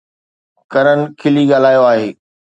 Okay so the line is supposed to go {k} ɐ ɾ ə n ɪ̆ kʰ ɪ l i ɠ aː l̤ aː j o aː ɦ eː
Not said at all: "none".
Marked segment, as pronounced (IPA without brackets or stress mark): k